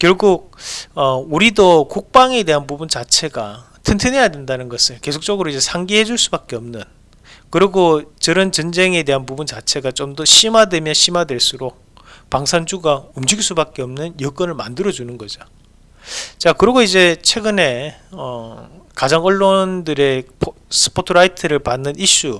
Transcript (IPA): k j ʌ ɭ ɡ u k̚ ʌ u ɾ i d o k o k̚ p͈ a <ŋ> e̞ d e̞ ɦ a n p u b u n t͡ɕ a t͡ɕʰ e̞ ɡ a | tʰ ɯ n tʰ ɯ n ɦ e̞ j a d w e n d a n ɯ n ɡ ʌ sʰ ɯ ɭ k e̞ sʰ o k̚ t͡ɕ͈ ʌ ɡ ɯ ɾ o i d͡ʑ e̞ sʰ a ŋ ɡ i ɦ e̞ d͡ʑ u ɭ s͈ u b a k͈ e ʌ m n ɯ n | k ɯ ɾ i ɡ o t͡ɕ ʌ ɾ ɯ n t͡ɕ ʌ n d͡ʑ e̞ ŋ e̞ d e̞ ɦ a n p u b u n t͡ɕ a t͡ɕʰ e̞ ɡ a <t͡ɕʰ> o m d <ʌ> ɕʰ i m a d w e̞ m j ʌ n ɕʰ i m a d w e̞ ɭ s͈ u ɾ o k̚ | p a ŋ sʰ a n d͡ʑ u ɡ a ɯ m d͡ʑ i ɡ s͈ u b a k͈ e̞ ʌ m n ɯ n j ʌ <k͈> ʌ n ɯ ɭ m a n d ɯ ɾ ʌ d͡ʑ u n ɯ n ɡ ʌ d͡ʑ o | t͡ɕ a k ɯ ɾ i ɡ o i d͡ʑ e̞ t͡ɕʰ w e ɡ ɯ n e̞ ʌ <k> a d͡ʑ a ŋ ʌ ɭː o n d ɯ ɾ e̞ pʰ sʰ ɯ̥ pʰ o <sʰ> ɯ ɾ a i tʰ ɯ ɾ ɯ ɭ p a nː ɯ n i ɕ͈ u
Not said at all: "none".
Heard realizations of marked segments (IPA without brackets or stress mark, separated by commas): ŋ, t͡ɕ, ʌ, k͈, k, tʰ